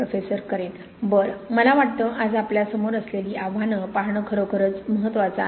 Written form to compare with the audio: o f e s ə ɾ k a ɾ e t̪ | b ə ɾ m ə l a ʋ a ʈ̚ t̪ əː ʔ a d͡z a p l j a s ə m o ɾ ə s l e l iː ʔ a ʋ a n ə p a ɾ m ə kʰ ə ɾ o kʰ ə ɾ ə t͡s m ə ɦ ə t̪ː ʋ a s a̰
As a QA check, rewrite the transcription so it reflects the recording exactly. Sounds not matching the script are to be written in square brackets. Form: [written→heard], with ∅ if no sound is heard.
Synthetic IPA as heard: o f e s ə ɾ k [a→ə] ɾ e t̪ | b ə ɾ m ə l a ʋ a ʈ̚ t̪ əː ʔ a d͡z a p l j a s ə m o ɾ ə s l e l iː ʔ a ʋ a n ə p a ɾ [m→ɳ] ə kʰ ə ɾ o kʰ ə ɾ ə t͡s m ə ɦ ə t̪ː ʋ a [s→t͡s] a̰